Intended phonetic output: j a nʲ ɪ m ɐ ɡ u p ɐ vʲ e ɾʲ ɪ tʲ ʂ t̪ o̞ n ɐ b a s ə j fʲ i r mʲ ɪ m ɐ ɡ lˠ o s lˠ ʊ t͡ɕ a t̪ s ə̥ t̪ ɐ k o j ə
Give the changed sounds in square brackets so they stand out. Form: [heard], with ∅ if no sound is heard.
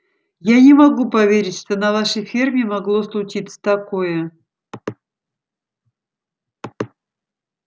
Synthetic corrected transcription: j a nʲ ɪ m ɐ ɡ u p ɐ vʲ e ɾʲ ɪ tʲ ʂ t̪ o̞ n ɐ [v] a [ʂ] ə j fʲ i r mʲ ɪ m ɐ ɡ lˠ o s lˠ ʊ t͡ɕ [i] t̪ s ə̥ t̪ ɐ k o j ə